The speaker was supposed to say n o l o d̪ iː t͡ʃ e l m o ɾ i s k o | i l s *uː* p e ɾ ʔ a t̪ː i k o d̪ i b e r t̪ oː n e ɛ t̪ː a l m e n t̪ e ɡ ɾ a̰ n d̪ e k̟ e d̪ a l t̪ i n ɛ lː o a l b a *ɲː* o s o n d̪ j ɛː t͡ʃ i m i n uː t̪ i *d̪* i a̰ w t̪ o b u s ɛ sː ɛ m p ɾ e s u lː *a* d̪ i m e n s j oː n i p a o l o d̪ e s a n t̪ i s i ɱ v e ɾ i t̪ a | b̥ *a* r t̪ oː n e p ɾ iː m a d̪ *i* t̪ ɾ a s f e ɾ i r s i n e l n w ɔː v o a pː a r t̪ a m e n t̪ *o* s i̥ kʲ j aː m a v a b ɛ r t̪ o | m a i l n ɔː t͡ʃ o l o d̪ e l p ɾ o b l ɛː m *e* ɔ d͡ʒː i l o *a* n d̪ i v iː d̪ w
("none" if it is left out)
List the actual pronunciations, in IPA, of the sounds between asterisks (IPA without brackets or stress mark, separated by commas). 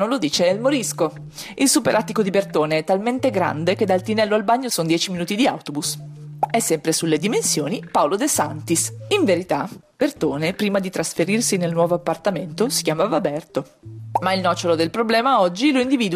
u, ɲː, d̪, e, e, i, o, a, i